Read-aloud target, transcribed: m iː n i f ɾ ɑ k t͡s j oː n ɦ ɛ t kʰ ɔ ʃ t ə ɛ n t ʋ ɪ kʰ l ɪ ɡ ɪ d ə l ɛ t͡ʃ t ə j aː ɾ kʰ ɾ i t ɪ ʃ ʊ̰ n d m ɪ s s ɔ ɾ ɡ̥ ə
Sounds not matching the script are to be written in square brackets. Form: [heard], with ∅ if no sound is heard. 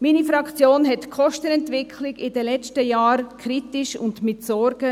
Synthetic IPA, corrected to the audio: m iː n i f ɾ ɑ k t͡s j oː n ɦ ɛ t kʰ ɔ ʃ t ə ɛ n t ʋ ɪ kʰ l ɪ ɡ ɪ d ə l ɛ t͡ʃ t ə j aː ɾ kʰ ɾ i t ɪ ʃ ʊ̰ n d m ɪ [t] s ɔ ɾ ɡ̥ ə

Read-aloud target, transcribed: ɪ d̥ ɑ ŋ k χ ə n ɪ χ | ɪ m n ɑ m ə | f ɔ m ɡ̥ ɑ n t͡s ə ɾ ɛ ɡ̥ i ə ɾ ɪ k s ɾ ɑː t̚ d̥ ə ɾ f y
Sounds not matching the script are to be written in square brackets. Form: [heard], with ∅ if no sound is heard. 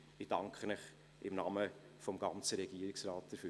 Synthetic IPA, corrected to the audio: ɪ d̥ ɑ ŋ k χ ə n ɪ χ | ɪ m n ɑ m ə | f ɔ m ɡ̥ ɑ n t͡s ə ɾ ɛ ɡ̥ i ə ɾ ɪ k s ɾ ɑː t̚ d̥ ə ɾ f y

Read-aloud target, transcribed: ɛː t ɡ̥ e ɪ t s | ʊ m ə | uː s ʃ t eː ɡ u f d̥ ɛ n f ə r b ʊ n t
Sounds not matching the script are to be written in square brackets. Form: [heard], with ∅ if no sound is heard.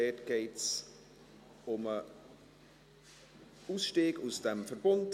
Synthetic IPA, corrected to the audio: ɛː t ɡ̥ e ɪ t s | ʊ m ə | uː s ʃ t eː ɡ u [s] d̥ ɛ [m] f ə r b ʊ n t

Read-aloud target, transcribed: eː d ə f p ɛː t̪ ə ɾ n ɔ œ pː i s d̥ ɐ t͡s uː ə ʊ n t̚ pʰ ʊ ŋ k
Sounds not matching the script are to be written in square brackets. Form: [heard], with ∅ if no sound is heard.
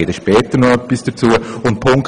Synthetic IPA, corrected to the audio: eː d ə [ʃ] p ɛː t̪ ə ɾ n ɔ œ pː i s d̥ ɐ t͡s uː ə ʊ n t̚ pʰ ʊ ŋ k

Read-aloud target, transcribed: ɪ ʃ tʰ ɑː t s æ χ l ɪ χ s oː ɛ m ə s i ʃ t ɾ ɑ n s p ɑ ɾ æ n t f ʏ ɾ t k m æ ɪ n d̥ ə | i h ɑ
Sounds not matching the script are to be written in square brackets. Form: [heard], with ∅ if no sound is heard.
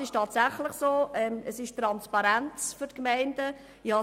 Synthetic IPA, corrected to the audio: ɪ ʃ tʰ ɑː t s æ χ l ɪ χ s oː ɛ m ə s [ɪ] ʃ t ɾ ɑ n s p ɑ ɾ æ n [t͡s] f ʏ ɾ t k m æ ɪ n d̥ ə | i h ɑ

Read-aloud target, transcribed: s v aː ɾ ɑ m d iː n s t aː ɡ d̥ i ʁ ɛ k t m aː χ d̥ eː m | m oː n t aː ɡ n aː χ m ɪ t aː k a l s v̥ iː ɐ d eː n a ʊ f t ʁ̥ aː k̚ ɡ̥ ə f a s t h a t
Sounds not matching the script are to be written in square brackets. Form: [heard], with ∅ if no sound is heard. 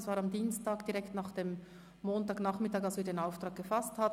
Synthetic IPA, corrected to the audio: s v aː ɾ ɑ m d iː n s t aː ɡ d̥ i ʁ ɛ k t [n] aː χ d̥ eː m | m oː n t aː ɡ n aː χ m ɪ t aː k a l s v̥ iː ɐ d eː n a ʊ f t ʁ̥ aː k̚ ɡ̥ ə f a s t h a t

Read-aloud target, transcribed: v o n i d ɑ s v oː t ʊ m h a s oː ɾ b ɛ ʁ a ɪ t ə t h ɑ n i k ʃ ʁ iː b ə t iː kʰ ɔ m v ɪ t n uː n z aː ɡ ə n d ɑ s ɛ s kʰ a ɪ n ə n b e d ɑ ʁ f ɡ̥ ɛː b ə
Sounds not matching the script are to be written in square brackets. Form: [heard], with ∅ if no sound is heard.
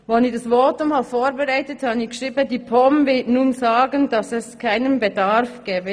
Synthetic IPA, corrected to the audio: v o n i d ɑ s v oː t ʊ m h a [f] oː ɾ b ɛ ʁ a ɪ t ə t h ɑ n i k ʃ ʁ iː b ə [d] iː [pʰ] ɔ m v ɪ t n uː n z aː ɡ ə n d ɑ s ɛ s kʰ a ɪ n ə n b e d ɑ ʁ f ɡ̥ ɛː b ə

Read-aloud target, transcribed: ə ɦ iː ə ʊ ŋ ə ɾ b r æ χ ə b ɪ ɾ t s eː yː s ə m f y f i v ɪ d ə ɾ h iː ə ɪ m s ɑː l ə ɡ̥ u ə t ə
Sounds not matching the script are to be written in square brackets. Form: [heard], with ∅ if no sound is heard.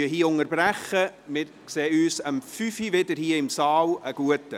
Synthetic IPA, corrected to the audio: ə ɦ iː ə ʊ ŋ ə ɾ b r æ χ ə [m] ɪ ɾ [k] s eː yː s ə m f y f i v ɪ d ə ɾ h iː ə ɪ m s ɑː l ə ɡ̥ u ə t ə

